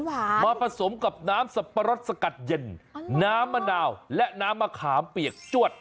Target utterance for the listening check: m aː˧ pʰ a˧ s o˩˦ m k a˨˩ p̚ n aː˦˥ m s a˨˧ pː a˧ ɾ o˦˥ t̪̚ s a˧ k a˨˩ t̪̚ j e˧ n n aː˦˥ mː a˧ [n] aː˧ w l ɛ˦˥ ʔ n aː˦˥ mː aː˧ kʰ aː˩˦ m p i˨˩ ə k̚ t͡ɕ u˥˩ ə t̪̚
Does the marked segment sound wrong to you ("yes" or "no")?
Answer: no